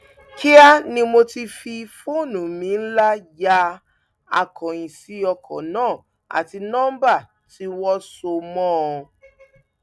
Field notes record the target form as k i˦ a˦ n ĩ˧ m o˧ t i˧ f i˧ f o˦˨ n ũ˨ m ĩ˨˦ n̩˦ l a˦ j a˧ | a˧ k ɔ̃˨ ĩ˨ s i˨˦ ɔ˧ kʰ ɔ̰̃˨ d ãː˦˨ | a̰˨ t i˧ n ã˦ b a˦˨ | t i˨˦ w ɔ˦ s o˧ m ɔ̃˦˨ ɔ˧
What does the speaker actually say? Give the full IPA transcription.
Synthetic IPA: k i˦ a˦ n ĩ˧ m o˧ t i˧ f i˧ f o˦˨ n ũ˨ m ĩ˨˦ n̩˦ l a˦ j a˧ | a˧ k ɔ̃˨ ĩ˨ s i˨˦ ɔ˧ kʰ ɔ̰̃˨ n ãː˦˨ | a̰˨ t i˧ n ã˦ b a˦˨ | t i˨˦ w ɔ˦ s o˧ m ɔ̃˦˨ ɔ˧